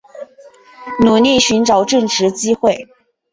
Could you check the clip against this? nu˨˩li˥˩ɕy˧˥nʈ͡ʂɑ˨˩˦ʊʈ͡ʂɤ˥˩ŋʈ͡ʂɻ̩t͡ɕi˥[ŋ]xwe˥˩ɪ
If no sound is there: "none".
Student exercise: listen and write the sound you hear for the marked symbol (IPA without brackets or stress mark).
none